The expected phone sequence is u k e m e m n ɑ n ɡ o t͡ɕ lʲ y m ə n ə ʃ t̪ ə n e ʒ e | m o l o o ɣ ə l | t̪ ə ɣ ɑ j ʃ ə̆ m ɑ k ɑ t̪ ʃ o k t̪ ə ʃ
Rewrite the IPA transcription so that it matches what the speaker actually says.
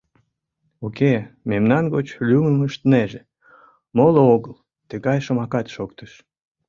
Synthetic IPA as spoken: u k e m e m n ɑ n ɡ o t͡ɕ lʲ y m ə m ə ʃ t̪ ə n e ʒ e | m o l o o ɣ ə l | t̪ ə ɣ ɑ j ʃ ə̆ m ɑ k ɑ t̪ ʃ o k t̪ ə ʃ